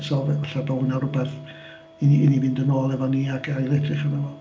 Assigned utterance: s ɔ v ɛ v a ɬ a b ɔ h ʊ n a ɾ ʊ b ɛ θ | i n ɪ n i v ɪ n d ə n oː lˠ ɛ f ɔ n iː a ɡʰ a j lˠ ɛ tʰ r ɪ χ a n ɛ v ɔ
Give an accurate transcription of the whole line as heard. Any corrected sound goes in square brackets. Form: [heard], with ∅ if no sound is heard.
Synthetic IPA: s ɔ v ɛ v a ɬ a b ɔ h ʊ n a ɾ ʊ b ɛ θ | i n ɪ n i v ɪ n d ə n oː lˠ ɛ [v] ɔ n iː a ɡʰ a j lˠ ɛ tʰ r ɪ χ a n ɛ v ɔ